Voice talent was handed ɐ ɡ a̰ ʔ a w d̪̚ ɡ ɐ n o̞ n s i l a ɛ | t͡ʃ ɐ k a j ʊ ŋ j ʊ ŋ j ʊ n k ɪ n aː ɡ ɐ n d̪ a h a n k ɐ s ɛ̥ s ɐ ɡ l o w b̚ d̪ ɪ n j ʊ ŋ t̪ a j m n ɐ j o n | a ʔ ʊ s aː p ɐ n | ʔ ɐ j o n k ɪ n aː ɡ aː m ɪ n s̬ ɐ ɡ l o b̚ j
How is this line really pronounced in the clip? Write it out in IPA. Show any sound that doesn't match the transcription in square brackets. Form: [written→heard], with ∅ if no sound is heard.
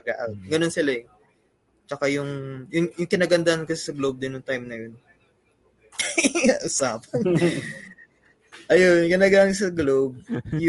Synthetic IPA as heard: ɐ ɡ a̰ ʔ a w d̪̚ ɡ ɐ n o̞ n s [i→ɪ] l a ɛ | t͡ʃ ɐ k a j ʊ ŋ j ʊ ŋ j ʊ [n→ŋ] k ɪ n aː ɡ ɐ n d̪ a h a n k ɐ s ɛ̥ s ɐ ɡ l o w b̚ d̪ ɪ n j ʊ ŋ t̪ a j m n ɐ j o n | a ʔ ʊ s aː p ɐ n | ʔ ɐ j o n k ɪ n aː ɡ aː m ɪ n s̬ ɐ ɡ l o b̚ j